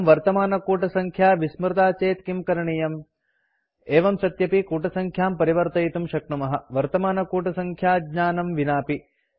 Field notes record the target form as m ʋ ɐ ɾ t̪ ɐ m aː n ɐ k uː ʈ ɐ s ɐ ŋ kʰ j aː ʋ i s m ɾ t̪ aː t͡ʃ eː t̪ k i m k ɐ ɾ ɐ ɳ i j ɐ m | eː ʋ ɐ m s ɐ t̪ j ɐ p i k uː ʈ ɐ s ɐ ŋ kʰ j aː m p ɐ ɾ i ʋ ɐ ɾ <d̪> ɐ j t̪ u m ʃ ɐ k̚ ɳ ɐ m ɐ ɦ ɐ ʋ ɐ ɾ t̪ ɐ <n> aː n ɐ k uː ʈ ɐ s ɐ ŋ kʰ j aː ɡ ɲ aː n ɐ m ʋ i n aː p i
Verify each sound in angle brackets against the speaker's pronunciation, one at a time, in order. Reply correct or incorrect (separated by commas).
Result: incorrect, incorrect